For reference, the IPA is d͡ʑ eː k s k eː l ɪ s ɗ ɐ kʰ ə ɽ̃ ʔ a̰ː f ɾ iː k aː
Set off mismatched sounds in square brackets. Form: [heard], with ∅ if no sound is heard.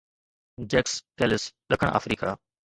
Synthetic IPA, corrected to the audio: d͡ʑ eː k s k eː l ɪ s ɗ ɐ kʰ ə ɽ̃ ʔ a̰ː f ɾ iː k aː